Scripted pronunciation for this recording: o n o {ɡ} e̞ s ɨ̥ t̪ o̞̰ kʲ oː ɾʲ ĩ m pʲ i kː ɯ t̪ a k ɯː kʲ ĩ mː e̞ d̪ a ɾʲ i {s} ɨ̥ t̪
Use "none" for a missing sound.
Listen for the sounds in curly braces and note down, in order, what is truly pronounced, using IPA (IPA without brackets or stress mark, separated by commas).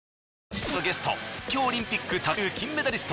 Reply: ɡ, s